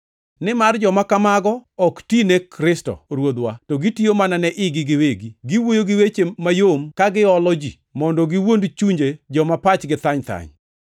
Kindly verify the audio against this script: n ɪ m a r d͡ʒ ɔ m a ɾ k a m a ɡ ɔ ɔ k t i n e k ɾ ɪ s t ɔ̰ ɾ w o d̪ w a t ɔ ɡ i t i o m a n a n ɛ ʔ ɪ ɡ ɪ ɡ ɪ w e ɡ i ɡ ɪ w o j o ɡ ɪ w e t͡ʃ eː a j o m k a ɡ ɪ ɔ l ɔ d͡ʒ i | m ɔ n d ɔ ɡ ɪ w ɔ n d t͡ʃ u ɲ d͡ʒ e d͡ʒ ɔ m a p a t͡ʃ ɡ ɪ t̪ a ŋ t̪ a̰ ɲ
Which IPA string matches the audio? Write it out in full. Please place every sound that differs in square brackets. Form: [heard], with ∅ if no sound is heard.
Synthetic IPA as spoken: n ɪ m a r d͡ʒ ɔ m a [∅] k a m a ɡ ɔ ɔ k t i n e k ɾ ɪ s t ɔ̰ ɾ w o d̪ w a t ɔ ɡ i t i o m a n a n ɛ ʔ ɪ ɡ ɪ ɡ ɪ w e ɡ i ɡ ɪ w o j o ɡ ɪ w e t͡ʃ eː a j o m k a ɡ ɪ ɔ l ɔ d͡ʒ i | m ɔ n d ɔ ɡ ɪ w [o] n d t͡ʃ u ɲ d͡ʒ e d͡ʒ ɔ m a p a t͡ʃ ɡ ɪ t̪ a [ɲ] t̪ a̰ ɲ